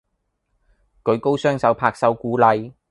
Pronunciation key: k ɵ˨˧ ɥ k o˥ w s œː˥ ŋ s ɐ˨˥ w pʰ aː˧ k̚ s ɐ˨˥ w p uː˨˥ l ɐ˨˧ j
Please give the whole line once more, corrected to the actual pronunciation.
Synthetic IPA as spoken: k ɵ˨˧ ɥ k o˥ w s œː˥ ŋ s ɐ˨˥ w pʰ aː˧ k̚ s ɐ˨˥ w k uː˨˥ l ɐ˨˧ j